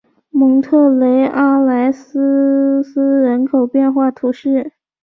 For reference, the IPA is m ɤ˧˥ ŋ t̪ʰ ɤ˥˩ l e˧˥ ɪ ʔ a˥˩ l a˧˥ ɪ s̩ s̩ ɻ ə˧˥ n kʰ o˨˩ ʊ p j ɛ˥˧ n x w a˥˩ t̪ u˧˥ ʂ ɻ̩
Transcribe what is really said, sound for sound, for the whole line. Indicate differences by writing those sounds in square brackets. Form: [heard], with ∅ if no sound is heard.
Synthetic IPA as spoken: m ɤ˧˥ ŋ t̪ʰ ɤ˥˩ l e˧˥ ɪ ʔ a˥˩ l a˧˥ ɪ s̩ s̩ ɻ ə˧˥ n kʰ o˨˩ ʊ p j ɛ˥˧ n x w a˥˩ [t̪ʰ] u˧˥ ʂ ɻ̩